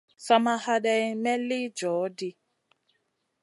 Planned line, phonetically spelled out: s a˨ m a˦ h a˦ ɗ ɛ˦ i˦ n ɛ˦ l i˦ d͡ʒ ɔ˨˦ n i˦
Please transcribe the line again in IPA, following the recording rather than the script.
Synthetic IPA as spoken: s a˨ m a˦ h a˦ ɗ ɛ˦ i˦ m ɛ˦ l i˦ d͡ʒ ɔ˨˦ d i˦